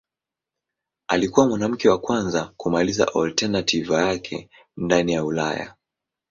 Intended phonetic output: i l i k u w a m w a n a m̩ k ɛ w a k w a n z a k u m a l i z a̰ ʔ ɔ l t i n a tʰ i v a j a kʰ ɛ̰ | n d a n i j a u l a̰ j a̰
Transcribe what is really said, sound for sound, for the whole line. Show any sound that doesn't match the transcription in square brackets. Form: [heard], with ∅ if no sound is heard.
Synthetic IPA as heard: [a] l i k u w a m w a n a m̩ k ɛ w a k w a n z a k u m a l i z a̰ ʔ ɔ l t [ɛ] n a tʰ i v a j a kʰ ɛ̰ | n d a n i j a u l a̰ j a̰